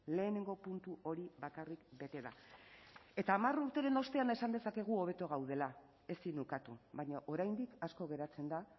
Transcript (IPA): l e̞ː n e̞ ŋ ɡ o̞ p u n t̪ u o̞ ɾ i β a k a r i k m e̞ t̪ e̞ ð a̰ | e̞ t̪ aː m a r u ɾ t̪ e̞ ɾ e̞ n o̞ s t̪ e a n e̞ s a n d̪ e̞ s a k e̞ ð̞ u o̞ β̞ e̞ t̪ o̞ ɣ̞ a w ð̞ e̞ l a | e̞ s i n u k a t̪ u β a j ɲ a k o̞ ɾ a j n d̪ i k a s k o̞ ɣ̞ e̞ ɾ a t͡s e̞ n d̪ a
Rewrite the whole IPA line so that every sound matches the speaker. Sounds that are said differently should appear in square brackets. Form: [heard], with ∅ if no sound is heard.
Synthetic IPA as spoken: l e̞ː n e̞ ŋ ɡ o̞ p u n t̪ u o̞ ɾ i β a k a r i k [b] e̞ t̪ e̞ ð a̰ | e̞ t̪ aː m a r u ɾ t̪ e̞ ɾ e̞ n o̞ s t̪ e a n e̞ s a n d̪ e̞ s a k e̞ [ɣ̞] u o̞ β̞ e̞ t̪ o̞ ɣ̞ a w ð̞ e̞ l a | e̞ s i n u k a t̪ u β a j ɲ a [ʔ] o̞ ɾ a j n d̪ i k a s k o̞ ɣ̞ e̞ ɾ a t͡s e̞ n d̪ a

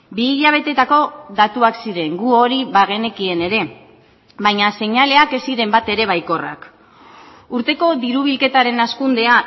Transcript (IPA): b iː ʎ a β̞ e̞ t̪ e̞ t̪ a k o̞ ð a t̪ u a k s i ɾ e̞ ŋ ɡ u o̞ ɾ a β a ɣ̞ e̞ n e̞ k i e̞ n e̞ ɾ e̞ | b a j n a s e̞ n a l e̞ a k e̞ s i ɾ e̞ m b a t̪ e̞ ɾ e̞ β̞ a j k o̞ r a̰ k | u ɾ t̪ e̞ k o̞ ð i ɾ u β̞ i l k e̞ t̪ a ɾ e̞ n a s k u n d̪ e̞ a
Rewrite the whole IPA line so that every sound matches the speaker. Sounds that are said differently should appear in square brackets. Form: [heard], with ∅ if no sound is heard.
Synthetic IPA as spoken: b iː ʎ a β̞ e̞ t̪ e̞ t̪ a k o̞ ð a t̪ u a k s i ɾ e̞ ŋ ɡ u o̞ ɾ [i] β a ɣ̞ e̞ n e̞ k i e̞ n e̞ ɾ e̞ | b a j [ɲ] a s e̞ [ɲ] a l e̞ a k e̞ s i ɾ e̞ m b a t̪ e̞ ɾ e̞ β̞ a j k o̞ r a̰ k | u ɾ t̪ e̞ k o̞ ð i ɾ u β̞ i l k e̞ t̪ a ɾ e̞ n a s k u n d̪ e̞ a

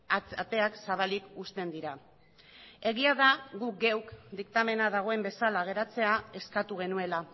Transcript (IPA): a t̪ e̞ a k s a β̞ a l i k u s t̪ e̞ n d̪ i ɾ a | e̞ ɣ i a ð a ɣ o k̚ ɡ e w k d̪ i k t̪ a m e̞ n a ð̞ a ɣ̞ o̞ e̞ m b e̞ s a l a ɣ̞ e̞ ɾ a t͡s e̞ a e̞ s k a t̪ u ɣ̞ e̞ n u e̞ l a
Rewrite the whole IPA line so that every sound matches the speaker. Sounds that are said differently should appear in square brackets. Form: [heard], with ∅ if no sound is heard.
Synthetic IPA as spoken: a t̪ e̞ a k s a β̞ a l i k u s t̪ e̞ n d̪ i ɾ a | e̞ ɣ i a ð a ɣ [u] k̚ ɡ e w k d̪ i k t̪ a m e̞ n a ð̞ a ɣ̞ o̞ e̞ m b e̞ s a l a ɣ̞ e̞ ɾ a t͡s e̞ a e̞ s k a t̪ u ɣ̞ e̞ n u e̞ l a

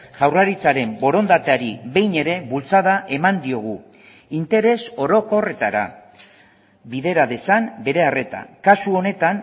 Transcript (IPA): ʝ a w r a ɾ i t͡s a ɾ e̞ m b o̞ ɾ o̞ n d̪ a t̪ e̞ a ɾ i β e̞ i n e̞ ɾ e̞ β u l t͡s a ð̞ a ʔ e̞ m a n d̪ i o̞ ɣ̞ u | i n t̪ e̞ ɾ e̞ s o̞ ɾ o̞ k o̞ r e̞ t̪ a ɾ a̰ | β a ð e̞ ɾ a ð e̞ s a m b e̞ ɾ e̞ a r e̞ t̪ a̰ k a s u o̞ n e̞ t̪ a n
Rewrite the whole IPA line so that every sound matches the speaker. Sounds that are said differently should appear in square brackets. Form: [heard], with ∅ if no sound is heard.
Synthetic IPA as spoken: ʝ a w r a ɾ i t͡s a ɾ e̞ m b o̞ ɾ o̞ n d̪ a t̪ e̞ a ɾ i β e̞ [j] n e̞ ɾ e̞ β u l t͡s a ð̞ a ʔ e̞ m a n d̪ i o̞ ɣ̞ u | i n t̪ e̞ ɾ e̞ s o̞ ɾ o̞ k o̞ r e̞ t̪ a ɾ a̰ | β [i] ð e̞ ɾ a ð e̞ s a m b e̞ ɾ e̞ a r e̞ t̪ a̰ k a s u o̞ n e̞ t̪ a n

